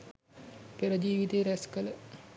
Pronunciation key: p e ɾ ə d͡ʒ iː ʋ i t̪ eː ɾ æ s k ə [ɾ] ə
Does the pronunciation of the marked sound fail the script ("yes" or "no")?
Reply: yes